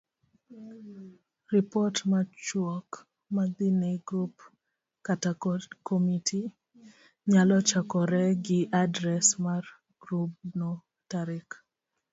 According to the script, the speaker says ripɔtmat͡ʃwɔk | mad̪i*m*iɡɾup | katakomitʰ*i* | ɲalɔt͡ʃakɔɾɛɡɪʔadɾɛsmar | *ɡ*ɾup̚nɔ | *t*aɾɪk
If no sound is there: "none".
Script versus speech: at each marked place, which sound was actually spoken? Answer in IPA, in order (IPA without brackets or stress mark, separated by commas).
n, i, ɡ, t